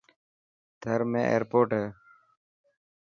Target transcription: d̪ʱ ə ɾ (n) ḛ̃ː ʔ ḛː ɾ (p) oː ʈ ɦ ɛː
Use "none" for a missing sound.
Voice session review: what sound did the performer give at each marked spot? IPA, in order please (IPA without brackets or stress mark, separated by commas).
m, p